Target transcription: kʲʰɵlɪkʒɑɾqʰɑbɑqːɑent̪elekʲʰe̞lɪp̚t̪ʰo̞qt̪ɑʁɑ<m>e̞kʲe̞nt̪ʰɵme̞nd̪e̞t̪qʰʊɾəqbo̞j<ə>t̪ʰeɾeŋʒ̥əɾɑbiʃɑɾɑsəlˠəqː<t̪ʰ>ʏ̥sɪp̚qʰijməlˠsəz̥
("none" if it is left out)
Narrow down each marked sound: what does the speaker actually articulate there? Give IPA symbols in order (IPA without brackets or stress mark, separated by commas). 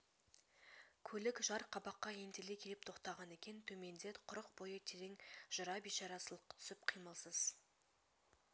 n, ə, t̪ʰ